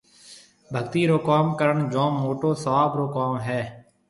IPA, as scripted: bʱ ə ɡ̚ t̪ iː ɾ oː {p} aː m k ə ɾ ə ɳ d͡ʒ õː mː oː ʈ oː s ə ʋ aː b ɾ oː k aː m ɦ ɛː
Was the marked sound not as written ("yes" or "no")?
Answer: yes